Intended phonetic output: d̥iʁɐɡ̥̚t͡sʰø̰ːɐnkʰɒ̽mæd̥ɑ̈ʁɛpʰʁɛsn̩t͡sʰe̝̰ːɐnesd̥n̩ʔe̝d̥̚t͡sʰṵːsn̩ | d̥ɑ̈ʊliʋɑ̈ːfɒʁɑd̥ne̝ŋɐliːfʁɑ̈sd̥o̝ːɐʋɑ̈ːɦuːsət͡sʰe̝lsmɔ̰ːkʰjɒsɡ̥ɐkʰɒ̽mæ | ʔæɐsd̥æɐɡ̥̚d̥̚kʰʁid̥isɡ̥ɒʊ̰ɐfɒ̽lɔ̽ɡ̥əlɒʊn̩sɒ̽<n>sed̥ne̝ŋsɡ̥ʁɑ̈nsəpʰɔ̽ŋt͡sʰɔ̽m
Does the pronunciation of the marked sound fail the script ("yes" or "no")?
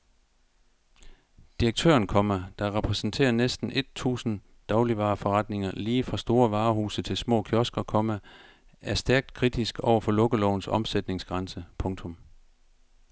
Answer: yes